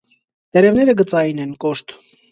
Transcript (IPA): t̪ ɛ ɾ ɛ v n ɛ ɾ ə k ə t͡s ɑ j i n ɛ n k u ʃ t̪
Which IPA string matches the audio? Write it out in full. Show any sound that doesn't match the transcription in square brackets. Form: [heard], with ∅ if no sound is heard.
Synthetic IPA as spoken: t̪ ɛ ɾ ɛ v n ɛ ɾ ə [ɡ] ə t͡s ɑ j i n ɛ n k [ɔ] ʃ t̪